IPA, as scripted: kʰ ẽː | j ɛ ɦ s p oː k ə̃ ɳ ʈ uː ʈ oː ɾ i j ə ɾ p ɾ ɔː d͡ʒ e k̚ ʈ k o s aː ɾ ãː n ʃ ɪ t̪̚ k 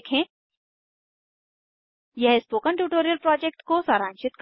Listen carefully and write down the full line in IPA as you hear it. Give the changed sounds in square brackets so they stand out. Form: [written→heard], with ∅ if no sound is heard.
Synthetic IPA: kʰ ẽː | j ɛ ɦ s p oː k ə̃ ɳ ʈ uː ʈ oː ɾ i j ə [ɾ→l] p ɾ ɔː d͡ʒ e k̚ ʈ k o s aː ɾ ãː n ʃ ɪ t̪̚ k